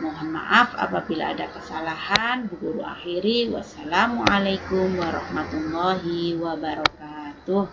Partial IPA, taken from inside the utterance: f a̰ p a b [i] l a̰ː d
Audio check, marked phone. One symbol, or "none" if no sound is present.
i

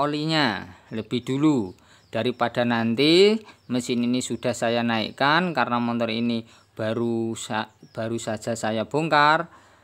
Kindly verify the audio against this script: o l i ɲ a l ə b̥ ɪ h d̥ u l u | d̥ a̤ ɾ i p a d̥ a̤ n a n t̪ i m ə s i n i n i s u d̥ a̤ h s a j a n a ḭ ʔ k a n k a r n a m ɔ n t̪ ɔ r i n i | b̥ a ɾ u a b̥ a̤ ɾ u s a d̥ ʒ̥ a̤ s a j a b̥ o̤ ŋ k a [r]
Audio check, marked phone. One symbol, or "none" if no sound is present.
r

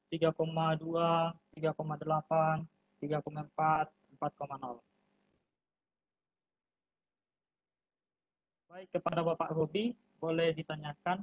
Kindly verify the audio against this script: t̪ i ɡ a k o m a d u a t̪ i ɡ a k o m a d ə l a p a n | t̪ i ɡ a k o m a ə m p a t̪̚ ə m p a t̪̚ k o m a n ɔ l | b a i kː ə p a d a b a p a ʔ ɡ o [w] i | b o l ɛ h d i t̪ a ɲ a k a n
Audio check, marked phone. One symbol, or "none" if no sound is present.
b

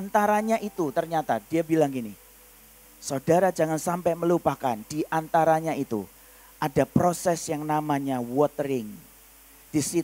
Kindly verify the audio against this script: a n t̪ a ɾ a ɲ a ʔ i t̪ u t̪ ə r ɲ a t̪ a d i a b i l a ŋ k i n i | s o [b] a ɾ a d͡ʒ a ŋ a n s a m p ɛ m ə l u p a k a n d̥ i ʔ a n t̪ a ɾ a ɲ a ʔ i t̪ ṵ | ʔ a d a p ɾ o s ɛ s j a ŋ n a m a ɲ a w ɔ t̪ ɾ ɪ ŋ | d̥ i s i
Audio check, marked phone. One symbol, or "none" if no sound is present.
d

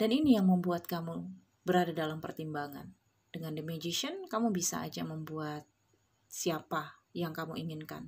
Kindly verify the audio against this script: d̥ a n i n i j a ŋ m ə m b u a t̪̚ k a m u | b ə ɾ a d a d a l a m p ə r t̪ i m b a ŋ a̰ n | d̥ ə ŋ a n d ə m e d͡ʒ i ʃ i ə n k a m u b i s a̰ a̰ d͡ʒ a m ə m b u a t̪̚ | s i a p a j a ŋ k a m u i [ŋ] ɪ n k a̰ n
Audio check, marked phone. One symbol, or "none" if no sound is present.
ŋ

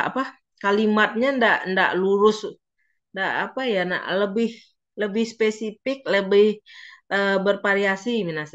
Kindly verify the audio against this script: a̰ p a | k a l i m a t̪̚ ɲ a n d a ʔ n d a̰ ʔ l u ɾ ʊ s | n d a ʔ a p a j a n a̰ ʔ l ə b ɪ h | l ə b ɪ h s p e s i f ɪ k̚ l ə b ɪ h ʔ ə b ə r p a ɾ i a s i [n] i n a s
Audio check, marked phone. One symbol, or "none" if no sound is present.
m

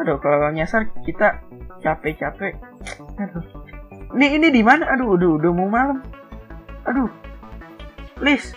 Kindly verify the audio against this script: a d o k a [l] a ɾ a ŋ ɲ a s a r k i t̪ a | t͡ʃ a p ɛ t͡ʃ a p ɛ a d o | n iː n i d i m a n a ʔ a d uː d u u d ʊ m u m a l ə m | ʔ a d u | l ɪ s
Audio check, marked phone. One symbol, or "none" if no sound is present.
l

